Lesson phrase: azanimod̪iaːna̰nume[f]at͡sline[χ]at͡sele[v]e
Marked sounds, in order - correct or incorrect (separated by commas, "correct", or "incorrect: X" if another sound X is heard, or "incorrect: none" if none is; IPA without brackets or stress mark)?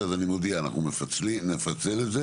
correct, incorrect: f, incorrect: z